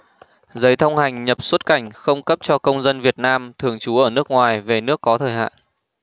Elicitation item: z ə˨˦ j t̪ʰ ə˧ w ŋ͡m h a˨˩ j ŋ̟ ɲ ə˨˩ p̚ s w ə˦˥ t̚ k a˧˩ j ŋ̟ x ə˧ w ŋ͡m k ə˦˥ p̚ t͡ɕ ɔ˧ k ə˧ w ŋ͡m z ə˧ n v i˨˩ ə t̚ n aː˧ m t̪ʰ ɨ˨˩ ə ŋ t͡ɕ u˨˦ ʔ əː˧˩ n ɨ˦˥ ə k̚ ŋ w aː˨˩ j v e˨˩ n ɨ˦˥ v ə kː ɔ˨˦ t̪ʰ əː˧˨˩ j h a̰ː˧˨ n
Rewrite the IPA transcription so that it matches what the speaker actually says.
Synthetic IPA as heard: z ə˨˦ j t̪ʰ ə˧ w ŋ͡m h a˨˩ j ŋ̟ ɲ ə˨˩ p̚ s w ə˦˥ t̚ k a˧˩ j ŋ̟ x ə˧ w ŋ͡m k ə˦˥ p̚ t͡ɕ ɔ˧ k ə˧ w ŋ͡m z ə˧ n v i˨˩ ə t̚ n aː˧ m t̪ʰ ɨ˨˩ ə ŋ t͡ɕ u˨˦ ʔ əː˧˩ n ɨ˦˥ ə k̚ ŋ w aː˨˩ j v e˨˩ n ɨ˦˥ ə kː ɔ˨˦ t̪ʰ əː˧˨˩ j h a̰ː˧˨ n